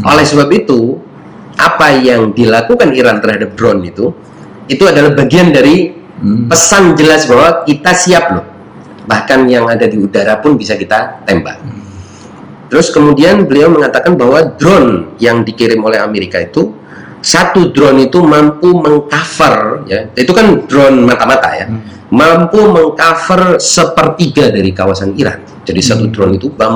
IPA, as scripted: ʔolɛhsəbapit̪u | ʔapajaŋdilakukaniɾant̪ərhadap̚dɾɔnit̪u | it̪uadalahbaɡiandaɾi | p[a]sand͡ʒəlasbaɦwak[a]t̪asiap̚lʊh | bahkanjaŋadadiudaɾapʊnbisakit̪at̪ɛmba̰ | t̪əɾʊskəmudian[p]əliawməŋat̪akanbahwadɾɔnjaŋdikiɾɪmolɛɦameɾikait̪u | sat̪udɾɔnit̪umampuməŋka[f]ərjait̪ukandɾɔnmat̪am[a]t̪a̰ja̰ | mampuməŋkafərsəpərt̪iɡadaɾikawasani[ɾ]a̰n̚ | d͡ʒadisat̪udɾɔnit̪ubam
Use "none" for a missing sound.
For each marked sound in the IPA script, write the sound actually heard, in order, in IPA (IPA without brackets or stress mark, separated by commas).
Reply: ə, i, b, f, a, ɾ